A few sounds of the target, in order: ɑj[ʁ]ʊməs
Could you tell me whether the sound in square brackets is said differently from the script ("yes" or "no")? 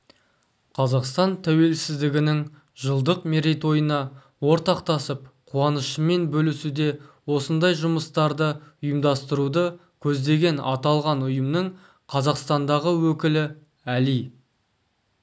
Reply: yes